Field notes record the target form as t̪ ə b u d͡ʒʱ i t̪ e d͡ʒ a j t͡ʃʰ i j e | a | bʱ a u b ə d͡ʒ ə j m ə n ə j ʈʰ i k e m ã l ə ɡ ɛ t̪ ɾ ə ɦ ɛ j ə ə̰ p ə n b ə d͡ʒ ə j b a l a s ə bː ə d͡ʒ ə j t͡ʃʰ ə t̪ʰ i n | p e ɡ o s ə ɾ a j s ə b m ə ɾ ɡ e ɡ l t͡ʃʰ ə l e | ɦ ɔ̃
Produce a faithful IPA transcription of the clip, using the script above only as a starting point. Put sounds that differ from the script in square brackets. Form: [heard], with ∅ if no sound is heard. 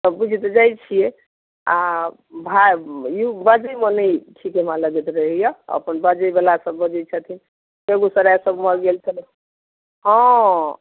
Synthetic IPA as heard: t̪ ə b u d͡ʒʱ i t̪ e d͡ʒ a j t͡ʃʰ i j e | a | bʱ a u b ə d͡ʒ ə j m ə n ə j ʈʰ i k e m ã l ə ɡ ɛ t̪ ɾ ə ɦ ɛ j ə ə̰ p ə n b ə d͡ʒ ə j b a l a s ə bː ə d͡ʒ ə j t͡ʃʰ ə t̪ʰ i n | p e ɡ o s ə ɾ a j s ə b m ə ɾ ɡ e [∅] l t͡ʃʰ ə l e | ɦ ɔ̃